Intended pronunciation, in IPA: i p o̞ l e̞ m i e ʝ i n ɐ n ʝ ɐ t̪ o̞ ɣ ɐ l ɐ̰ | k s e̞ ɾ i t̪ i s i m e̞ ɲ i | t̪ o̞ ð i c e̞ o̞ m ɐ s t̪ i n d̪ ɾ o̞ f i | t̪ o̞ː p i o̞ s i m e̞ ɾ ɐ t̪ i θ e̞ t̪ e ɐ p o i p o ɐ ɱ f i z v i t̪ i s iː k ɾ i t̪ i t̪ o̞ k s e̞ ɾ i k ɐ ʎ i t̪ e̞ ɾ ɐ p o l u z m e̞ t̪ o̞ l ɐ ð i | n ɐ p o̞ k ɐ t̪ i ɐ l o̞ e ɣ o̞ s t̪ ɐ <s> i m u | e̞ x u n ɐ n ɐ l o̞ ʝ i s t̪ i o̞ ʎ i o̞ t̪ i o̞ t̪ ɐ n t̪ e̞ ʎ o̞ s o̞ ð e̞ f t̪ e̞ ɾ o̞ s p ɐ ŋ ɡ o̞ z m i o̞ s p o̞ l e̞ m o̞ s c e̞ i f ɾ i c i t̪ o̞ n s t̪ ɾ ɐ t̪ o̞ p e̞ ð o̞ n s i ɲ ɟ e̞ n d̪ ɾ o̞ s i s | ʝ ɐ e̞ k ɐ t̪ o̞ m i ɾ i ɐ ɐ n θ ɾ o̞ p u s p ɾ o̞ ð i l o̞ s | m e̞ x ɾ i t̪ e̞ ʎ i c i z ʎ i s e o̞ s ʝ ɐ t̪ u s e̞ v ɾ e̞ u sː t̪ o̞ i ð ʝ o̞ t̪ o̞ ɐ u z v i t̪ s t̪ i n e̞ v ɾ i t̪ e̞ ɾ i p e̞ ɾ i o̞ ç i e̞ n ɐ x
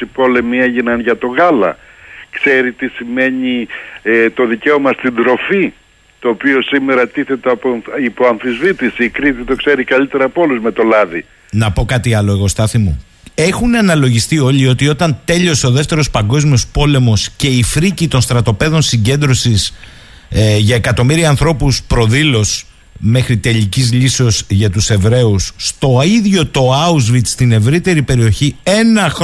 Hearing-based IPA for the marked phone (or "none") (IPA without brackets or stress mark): θ